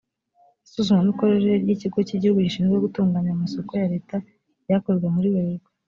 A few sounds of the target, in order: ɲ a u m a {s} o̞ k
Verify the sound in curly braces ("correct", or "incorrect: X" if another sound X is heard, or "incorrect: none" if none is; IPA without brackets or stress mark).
correct